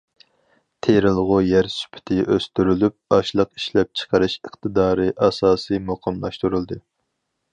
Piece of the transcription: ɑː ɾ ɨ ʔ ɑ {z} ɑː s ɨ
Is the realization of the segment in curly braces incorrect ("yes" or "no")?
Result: yes